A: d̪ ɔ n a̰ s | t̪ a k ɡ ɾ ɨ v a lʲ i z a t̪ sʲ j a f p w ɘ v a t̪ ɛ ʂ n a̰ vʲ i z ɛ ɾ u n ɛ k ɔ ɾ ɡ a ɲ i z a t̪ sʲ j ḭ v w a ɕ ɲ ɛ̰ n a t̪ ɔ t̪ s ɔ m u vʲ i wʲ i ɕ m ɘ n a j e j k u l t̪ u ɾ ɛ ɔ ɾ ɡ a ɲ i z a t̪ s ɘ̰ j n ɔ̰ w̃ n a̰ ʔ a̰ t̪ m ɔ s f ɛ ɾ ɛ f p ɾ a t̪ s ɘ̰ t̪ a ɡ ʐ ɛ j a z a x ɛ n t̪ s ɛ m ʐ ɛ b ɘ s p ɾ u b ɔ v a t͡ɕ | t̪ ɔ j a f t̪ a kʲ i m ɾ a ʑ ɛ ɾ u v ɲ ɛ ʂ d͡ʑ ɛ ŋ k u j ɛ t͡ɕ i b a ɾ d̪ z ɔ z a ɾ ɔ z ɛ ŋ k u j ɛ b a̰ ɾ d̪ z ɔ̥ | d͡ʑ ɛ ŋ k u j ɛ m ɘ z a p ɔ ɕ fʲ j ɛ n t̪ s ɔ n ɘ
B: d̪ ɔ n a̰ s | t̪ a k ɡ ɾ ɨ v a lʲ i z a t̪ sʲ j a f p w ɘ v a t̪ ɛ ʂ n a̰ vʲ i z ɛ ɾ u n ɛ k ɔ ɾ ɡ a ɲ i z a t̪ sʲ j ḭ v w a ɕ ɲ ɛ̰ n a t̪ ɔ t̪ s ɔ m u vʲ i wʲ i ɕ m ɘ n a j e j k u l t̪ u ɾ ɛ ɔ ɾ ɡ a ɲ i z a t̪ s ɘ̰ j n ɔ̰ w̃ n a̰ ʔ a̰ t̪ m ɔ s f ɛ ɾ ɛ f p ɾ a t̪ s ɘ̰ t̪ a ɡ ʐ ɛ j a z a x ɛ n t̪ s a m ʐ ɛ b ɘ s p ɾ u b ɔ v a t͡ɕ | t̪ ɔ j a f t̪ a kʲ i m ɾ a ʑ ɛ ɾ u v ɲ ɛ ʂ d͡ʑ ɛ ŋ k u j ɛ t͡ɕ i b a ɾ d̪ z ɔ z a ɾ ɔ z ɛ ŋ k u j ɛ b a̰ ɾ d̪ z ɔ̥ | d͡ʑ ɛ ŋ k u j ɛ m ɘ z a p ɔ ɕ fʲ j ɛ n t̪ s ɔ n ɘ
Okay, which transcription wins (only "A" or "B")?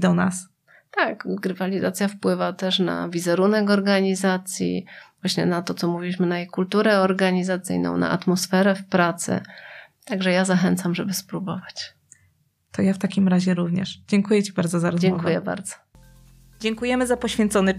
B